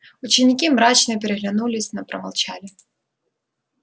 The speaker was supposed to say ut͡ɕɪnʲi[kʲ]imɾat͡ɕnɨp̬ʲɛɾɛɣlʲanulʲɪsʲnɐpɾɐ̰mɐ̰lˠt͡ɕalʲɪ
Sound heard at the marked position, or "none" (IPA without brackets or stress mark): kʲ